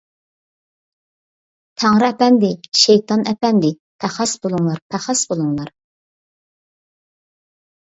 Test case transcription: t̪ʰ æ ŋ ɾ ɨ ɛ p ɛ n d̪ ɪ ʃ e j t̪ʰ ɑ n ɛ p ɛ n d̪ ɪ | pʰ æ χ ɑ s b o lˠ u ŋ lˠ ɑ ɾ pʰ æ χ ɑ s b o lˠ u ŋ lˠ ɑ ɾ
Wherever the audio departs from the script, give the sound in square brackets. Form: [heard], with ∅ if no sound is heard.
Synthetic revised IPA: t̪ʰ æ ŋ ɾ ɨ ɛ p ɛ n d̪ ɪ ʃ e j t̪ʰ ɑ n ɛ p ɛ n d̪ ɪ | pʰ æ χ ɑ s b o lˠ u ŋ lˠ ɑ ɾ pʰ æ χ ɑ s b o lˠ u ŋ lˠ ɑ ɾ